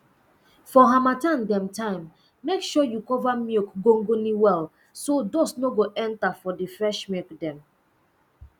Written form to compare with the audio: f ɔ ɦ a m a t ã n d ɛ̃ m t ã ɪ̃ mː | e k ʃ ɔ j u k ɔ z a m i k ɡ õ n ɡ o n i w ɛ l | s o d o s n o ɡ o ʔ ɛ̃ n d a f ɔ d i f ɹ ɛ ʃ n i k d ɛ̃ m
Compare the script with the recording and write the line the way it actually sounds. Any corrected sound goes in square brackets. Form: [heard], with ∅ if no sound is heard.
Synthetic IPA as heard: f ɔ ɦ a m a t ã n d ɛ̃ m t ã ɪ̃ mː | e k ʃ ɔ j u k ɔ [v] a m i k ɡ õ [ŋ] ɡ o n i w ɛ l | s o d o s n o ɡ o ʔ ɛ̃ n [t] a f ɔ d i f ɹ ɛ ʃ [m] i k d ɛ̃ m